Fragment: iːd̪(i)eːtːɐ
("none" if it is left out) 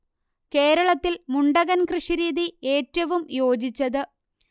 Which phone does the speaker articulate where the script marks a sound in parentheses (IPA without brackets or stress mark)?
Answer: i